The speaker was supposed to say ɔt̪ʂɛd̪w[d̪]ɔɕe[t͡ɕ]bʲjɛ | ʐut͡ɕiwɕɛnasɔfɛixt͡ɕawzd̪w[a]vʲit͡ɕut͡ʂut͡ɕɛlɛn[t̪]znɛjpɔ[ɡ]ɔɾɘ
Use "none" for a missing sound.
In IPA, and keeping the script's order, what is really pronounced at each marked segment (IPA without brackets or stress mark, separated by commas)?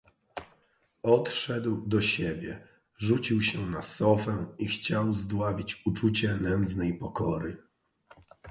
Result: d̪, none, a, d̪, k